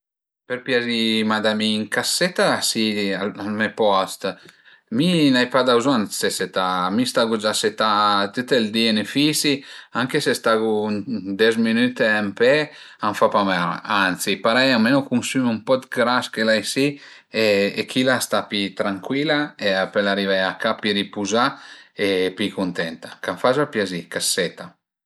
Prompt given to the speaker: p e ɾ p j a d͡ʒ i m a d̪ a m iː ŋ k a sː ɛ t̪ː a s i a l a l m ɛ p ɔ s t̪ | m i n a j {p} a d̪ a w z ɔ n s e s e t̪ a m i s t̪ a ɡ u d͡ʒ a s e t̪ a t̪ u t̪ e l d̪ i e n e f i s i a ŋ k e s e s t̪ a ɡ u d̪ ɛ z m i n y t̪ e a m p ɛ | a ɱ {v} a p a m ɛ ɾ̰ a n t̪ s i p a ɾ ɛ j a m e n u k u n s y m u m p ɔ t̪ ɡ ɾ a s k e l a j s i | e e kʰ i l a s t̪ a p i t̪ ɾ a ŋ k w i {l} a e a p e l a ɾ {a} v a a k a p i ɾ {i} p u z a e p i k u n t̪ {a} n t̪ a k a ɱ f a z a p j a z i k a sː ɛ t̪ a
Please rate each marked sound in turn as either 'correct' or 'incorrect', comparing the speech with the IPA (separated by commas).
correct, incorrect, correct, incorrect, correct, incorrect